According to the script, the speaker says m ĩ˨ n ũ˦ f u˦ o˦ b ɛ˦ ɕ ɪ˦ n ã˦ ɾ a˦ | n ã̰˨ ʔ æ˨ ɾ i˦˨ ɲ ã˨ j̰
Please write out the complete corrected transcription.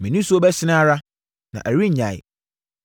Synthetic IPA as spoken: m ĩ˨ n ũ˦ s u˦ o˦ b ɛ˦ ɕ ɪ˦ n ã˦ ɾ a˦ | n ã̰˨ ʔ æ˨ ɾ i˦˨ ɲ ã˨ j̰